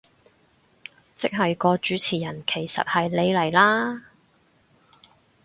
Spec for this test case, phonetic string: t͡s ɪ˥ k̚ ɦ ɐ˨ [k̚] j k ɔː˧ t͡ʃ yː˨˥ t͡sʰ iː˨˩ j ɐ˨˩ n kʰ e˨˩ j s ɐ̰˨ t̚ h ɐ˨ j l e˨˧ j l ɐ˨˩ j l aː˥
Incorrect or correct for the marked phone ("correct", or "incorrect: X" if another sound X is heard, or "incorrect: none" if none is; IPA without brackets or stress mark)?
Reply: incorrect: none